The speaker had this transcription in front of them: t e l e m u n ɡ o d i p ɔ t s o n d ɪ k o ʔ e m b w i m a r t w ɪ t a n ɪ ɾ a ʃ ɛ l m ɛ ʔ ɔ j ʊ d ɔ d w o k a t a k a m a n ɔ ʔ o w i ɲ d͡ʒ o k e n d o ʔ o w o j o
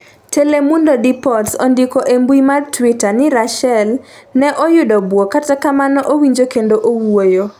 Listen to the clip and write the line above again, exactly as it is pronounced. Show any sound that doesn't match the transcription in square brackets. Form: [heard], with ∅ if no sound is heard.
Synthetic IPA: t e l e m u n [d] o d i p ɔ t s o n d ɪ k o ʔ e m b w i m a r t w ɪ t a n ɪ ɾ a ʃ ɛ l [n] ɛ ʔ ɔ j ʊ d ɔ [b] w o k a t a k a m a n ɔ ʔ o w i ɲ d͡ʒ o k e n d o ʔ o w o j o